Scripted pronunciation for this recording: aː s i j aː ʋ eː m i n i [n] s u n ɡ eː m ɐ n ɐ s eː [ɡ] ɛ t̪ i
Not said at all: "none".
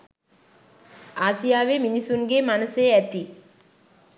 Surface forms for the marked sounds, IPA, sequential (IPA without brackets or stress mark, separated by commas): none, none